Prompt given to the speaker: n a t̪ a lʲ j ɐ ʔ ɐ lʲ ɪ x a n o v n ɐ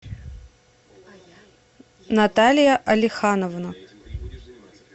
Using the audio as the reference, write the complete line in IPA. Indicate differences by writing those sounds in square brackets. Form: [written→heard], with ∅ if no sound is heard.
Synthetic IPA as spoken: n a t̪ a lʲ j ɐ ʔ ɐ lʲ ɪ x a n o v n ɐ